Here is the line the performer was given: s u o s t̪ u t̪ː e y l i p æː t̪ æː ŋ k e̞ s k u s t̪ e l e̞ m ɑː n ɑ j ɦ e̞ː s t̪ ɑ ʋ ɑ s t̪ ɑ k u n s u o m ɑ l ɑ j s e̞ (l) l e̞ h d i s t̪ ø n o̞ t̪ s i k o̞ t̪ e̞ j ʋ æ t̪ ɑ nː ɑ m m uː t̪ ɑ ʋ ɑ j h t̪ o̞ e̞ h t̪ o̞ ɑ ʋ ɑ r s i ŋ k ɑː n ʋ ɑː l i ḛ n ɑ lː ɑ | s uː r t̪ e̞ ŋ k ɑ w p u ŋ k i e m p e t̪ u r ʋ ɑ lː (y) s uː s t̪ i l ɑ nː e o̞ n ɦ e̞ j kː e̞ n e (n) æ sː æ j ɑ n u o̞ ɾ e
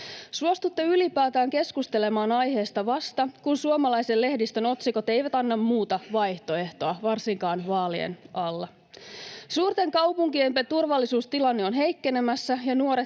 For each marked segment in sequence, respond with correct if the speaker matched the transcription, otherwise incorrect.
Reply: correct, incorrect: i, incorrect: m

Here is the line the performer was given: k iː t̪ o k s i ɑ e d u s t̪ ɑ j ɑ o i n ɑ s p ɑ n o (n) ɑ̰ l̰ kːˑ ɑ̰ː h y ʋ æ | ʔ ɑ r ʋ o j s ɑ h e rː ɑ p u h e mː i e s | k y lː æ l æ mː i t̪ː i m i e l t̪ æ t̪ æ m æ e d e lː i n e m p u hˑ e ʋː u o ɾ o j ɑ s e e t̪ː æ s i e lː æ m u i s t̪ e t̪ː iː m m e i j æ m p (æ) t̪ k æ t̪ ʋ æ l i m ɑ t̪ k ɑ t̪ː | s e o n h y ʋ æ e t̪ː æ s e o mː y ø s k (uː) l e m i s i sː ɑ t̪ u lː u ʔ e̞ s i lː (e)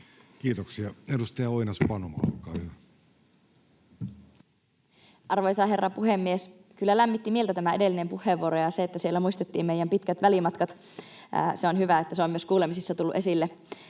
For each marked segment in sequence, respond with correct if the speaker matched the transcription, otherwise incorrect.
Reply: incorrect: m, incorrect: i, correct, correct

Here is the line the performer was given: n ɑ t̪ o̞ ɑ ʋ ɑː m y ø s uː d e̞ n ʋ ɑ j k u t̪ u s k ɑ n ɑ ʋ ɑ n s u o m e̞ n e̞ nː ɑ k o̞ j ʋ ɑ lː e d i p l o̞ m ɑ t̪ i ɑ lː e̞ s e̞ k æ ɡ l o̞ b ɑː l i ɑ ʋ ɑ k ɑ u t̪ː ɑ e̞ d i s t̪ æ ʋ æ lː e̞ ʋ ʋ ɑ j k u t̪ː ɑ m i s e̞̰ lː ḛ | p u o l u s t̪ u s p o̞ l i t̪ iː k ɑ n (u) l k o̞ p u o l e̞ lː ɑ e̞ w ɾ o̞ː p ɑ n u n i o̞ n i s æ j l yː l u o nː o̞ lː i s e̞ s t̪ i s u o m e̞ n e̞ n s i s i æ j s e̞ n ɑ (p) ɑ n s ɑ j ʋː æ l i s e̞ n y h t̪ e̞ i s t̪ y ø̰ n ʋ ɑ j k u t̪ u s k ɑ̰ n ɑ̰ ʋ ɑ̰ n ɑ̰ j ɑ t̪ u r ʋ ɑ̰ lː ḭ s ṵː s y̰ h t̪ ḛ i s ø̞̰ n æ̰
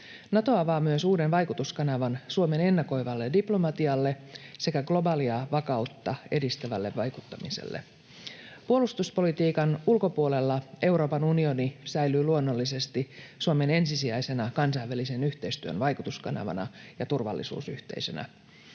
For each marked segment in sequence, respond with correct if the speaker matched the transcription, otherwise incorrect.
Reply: correct, incorrect: k

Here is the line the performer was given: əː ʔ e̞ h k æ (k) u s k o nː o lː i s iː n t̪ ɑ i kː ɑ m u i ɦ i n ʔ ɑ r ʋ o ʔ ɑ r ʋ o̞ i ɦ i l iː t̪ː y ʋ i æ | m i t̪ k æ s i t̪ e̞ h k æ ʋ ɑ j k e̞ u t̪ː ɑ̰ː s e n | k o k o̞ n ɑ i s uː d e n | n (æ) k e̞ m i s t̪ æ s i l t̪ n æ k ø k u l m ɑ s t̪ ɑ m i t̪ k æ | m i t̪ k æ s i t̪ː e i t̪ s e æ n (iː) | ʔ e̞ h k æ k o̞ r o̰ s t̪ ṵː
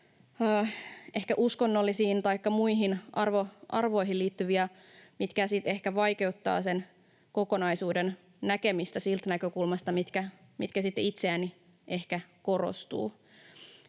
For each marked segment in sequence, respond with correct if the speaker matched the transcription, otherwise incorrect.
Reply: incorrect: ʔ, correct, incorrect: i

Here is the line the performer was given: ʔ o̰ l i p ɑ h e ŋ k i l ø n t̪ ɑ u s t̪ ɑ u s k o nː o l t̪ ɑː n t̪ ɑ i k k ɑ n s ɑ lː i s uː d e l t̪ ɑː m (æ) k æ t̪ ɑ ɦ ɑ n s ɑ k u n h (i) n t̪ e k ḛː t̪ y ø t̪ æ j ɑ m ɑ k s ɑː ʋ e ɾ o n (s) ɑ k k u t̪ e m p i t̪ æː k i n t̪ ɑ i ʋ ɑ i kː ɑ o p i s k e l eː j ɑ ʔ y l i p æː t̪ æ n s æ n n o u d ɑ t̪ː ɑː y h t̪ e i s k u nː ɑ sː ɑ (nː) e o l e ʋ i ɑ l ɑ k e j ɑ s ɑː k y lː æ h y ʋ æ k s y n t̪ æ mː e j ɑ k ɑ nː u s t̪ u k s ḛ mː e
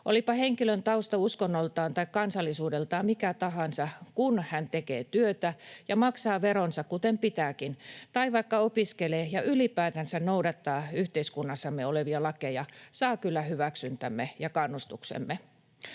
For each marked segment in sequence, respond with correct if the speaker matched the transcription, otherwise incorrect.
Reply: incorrect: i, incorrect: æ, correct, incorrect: mː

